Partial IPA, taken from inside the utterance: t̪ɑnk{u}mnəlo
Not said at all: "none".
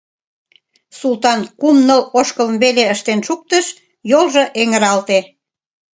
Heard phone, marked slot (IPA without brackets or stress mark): u